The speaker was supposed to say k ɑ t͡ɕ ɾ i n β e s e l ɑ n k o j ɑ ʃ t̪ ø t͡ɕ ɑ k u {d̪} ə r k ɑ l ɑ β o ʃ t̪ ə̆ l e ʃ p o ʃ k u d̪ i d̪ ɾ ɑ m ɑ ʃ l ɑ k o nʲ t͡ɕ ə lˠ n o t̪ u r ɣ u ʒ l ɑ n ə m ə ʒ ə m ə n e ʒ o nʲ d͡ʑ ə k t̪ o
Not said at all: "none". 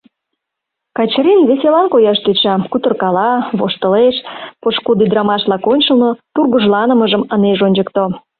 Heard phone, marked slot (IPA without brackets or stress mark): t̪